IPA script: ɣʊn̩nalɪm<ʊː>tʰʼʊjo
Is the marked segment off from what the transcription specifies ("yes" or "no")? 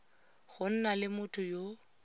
yes